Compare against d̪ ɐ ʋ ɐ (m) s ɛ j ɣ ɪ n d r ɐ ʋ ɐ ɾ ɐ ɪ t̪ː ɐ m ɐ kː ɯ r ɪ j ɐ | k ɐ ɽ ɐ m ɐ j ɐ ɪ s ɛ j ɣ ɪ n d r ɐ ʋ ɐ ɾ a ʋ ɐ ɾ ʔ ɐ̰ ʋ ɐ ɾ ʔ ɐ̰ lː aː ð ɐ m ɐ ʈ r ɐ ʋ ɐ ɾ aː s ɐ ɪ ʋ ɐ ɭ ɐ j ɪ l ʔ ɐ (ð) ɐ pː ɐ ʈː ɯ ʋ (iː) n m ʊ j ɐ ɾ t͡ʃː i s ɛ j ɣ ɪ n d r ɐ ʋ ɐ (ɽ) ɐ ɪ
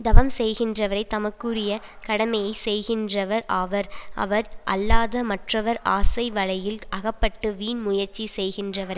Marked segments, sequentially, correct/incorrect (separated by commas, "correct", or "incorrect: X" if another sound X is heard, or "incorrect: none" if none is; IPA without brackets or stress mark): correct, incorrect: ɣ, correct, incorrect: ɾ